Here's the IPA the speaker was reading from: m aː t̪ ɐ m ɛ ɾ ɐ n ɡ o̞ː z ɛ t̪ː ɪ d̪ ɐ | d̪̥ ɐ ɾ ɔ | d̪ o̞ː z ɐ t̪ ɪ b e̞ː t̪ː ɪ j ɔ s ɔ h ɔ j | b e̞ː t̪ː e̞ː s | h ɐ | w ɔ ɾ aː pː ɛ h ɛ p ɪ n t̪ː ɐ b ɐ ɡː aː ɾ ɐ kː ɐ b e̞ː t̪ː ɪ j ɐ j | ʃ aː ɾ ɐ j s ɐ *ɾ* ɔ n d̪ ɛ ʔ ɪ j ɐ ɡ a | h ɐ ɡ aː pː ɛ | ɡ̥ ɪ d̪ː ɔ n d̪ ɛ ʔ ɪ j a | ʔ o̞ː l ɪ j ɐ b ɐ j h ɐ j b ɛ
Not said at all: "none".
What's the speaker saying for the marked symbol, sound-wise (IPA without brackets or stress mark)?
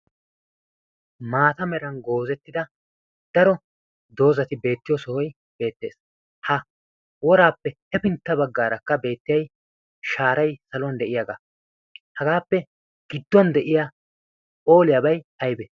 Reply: l